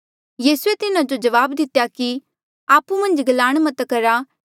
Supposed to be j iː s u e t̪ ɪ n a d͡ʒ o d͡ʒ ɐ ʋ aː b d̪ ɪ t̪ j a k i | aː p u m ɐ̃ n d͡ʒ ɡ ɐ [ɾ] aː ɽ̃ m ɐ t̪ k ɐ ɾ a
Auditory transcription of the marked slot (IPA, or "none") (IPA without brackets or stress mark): l